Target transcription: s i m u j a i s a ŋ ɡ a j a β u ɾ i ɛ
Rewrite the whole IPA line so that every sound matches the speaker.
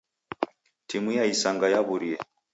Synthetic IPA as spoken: t i m u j a i s a ŋ ɡ a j a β u ɾ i ɛ